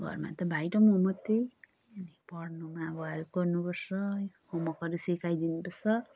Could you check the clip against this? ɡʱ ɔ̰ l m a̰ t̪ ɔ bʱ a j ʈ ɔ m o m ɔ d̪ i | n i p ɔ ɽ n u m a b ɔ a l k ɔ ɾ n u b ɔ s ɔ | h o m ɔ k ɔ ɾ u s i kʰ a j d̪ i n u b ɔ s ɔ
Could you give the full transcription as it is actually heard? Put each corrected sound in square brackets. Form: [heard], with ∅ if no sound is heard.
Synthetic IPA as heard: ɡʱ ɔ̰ [ɾ] m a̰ t̪ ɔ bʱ a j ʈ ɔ m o m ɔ [t̪] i | n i p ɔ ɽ n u m a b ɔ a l k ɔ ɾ n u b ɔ s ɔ | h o m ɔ k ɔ ɾ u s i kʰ a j d̪ i n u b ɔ s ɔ

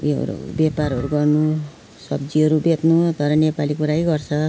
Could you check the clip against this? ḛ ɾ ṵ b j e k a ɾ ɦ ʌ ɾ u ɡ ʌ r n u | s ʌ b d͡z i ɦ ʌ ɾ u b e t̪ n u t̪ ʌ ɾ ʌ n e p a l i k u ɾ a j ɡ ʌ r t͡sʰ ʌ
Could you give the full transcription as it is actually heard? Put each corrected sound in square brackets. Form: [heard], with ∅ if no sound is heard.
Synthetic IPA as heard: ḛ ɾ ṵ b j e [p] a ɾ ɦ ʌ ɾ u ɡ ʌ r n u | s ʌ b d͡z i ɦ ʌ ɾ u b e t̪ n u t̪ ʌ ɾ ʌ n e p a l i k u ɾ a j ɡ ʌ r t͡sʰ ʌ

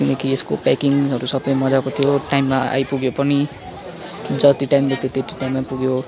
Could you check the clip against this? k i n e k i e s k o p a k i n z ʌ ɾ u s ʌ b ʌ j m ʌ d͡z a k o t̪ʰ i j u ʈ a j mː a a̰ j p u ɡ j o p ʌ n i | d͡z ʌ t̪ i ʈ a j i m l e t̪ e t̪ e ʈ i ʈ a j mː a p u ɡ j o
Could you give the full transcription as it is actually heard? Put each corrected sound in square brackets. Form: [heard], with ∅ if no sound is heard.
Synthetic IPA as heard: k i n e k i e s k o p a k i [ŋ] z ʌ ɾ u s ʌ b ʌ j m ʌ d͡z a k o t̪ʰ i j [o] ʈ a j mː a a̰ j p u ɡ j o p ʌ n i | d͡z ʌ t̪ i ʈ a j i m l e t̪ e t̪ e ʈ i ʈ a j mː a p u ɡ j o

